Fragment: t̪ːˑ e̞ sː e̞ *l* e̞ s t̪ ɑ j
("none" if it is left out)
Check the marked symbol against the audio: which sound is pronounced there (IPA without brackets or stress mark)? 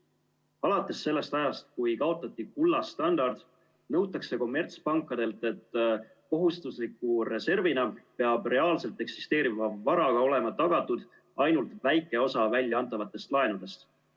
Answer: lː